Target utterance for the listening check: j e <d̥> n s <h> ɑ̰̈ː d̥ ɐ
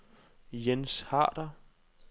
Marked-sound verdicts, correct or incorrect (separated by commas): incorrect, correct